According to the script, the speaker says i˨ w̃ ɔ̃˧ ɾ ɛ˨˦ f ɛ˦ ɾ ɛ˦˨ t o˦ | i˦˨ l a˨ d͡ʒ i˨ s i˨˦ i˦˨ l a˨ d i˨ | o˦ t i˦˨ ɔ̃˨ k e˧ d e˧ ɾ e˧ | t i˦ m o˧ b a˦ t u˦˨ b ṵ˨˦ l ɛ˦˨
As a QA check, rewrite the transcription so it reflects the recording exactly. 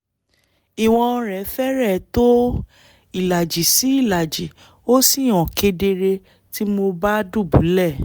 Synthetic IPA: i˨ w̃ ɔ̃˧ ɾ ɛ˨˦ f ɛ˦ ɾ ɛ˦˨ t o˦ | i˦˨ l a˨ d͡ʒ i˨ s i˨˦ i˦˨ l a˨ d͡ʒ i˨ | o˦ s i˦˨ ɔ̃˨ k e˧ d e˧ ɾ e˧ | t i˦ m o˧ b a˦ d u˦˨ b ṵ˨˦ l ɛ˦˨

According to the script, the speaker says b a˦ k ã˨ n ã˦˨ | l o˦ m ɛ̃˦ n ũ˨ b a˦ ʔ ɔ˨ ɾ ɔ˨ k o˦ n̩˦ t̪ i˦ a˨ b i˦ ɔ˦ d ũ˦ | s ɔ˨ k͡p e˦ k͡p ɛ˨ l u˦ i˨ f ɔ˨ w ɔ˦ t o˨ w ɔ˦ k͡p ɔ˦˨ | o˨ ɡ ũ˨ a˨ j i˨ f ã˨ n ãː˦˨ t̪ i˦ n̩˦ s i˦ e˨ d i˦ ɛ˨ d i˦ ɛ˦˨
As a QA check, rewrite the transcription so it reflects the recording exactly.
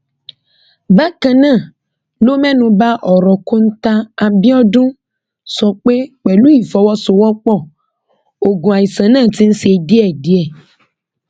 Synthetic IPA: b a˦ k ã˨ n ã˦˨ | l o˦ m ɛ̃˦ n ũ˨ b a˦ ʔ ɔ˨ ɾ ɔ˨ k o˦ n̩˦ t̪ a˦ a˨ b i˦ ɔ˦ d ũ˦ | s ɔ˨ k͡p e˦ k͡p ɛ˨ l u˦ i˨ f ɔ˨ w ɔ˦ s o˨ w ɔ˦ k͡p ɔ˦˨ | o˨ ɡ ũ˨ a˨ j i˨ s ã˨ n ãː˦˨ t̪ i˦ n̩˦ s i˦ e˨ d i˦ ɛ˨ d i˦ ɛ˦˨

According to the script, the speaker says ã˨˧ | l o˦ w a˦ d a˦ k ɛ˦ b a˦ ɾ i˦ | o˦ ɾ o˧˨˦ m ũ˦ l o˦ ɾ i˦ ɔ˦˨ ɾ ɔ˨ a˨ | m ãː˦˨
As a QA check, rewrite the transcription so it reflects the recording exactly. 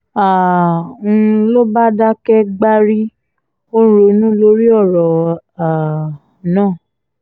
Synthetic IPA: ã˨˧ | l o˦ b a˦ d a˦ k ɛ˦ ɡ͡b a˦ ɾ i˦ | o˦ ɾ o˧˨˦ n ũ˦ l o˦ ɾ i˦ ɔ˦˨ ɾ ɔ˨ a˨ | n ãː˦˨

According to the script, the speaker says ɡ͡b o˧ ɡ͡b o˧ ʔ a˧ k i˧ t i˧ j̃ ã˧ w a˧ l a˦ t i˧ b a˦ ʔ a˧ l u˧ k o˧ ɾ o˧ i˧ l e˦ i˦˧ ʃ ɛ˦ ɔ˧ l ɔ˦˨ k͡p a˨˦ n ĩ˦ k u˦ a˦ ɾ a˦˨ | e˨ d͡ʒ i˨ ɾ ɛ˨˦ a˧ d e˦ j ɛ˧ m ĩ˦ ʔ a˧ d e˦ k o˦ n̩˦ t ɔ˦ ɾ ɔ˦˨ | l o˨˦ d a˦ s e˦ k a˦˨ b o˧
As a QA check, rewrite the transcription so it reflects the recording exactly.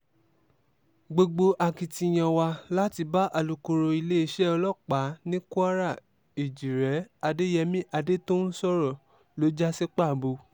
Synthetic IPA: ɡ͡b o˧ ɡ͡b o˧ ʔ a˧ k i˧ t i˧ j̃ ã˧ w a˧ l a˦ t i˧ b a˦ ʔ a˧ l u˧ k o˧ ɾ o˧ i˧ l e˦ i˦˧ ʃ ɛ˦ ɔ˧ l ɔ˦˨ k͡p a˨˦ n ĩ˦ k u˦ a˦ ɾ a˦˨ | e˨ d͡ʒ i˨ ɾ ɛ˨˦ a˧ d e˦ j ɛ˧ m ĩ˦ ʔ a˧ d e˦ t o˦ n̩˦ s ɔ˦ ɾ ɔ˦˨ | l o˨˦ d͡ʒ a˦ s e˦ k͡p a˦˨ b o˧

